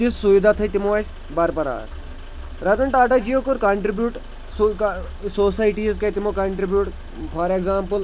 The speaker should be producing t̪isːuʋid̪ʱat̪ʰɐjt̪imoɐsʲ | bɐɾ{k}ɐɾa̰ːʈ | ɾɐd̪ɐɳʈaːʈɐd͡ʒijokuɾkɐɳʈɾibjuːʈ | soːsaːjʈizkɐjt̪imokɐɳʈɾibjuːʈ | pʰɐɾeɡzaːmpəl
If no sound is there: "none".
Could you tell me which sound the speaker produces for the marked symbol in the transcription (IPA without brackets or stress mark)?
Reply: p